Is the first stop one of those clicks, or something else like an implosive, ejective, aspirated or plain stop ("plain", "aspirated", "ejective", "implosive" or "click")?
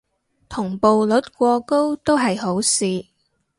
aspirated